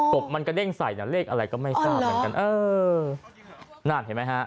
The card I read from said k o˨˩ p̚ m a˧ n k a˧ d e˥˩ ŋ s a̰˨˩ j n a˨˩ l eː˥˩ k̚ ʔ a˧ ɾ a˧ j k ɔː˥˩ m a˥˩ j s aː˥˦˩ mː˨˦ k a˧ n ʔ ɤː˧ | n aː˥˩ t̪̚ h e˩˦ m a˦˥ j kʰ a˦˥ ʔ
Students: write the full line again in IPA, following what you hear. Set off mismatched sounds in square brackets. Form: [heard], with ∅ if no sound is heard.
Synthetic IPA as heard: k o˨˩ p̚ m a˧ n k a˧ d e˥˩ ŋ s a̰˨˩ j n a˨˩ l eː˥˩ k̚ ʔ a˧ ɾ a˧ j k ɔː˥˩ m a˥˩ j s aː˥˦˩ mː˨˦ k a˧ n ʔ ɤː˧ | n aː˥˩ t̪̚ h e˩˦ m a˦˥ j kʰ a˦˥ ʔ